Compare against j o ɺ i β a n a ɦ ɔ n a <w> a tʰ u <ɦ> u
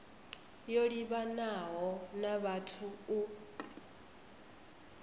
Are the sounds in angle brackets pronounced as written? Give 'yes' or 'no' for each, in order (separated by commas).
no, no